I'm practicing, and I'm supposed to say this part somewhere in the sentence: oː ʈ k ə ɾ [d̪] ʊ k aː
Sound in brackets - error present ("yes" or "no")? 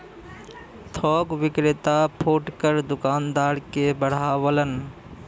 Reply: no